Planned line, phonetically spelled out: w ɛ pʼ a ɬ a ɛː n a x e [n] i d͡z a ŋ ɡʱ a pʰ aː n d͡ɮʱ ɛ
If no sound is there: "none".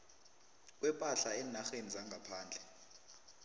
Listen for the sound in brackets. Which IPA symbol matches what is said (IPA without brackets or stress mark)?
n